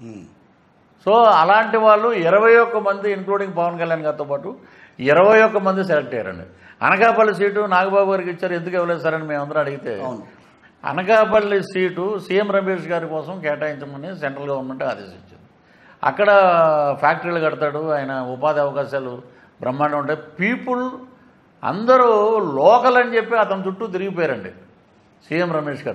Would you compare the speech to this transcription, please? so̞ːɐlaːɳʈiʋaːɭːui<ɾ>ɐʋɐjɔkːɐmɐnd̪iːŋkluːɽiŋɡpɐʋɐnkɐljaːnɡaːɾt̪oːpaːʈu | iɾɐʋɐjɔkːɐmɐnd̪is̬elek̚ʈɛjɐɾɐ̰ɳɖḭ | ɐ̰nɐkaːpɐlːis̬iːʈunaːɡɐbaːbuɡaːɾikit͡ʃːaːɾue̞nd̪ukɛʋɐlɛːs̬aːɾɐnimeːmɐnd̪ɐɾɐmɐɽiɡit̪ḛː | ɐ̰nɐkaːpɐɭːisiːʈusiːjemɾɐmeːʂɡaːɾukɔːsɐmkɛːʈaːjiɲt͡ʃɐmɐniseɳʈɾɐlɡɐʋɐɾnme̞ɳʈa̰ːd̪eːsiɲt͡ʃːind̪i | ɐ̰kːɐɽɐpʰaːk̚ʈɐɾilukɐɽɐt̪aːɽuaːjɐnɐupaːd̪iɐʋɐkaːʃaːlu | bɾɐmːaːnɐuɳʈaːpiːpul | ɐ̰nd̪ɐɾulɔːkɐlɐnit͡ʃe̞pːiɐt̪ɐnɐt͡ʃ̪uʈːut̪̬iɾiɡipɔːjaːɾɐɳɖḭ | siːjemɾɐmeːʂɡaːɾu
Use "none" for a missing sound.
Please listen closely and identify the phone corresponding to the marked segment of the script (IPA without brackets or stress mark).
ɾ